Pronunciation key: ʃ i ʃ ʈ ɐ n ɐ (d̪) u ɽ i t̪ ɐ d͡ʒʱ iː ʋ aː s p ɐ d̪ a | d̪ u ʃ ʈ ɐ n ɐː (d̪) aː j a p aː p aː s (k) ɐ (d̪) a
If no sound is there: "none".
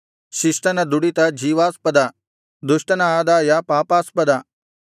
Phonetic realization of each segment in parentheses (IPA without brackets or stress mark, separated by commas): d̪, d̪, p, d̪